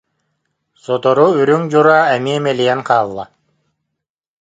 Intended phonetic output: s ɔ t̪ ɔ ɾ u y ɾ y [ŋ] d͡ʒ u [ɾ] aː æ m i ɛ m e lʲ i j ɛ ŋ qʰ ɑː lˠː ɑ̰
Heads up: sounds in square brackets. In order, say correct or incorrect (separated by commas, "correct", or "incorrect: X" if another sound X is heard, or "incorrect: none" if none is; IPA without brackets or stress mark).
correct, correct